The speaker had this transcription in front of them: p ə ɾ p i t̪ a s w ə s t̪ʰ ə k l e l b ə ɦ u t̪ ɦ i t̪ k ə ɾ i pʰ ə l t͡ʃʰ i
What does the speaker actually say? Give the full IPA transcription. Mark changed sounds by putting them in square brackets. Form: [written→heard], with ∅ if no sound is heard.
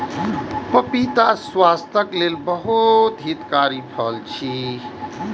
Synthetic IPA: p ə [ɾ→∅] p i t̪ a s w [ə→a] s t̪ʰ ə k l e l b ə ɦ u t̪ ɦ i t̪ k [ə→a] ɾ i pʰ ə l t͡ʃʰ i